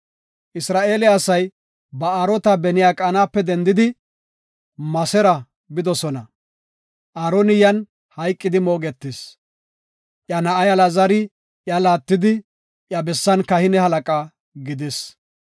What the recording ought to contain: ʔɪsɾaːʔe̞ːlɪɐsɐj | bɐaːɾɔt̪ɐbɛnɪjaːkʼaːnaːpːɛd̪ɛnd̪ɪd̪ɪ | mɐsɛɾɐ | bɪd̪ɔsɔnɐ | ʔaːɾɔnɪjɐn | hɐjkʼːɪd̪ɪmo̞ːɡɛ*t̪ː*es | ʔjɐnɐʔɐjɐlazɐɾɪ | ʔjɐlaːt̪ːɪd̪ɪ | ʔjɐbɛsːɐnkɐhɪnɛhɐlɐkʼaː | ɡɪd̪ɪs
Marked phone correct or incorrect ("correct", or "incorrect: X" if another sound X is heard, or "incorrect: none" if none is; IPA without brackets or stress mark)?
correct